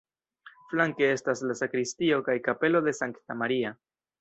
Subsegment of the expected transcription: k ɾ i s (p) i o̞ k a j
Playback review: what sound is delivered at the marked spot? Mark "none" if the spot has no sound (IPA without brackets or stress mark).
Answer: t